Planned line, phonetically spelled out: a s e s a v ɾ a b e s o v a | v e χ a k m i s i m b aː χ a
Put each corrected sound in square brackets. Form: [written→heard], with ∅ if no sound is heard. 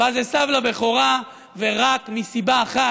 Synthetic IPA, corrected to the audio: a [s→z] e s a v [ɾ→l] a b e [s→χ] o [v→ʁ] a | v e [χ→ʁ] a k m i s i [m→∅] b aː χ a